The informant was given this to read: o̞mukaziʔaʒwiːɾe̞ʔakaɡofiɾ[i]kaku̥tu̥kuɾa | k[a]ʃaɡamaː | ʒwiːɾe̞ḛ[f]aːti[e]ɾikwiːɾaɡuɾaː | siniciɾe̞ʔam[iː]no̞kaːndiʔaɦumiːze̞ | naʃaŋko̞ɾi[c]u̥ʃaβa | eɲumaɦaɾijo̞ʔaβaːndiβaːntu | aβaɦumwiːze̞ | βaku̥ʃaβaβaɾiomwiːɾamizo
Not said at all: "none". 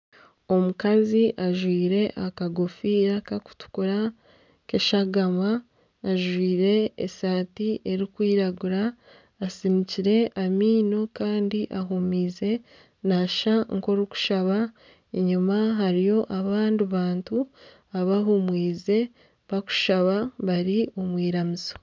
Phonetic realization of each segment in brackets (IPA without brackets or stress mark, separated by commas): a, e, s, e, iː, k